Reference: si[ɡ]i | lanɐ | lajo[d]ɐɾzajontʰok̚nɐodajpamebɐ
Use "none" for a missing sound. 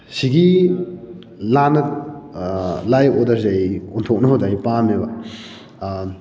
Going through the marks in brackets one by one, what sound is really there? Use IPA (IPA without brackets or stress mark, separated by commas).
ɡ, d